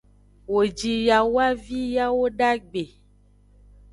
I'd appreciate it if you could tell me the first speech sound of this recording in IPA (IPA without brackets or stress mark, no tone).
w